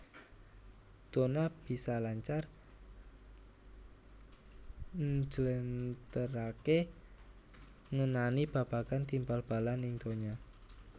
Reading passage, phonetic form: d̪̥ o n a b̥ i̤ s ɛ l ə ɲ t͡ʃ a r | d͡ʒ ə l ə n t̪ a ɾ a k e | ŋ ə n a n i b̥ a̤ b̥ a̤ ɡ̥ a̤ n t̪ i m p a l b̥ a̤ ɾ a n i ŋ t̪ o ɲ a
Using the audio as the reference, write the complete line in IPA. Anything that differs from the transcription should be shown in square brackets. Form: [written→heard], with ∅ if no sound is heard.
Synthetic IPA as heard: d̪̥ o n a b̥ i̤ s [ɛ→a] l [ə→a] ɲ t͡ʃ a r | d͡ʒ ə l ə n t̪ [a→ə] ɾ a k e | ŋ ə n a n i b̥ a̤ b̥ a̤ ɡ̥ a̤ n t̪ i m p a l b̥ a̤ [ɾ→l] a n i ŋ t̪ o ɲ a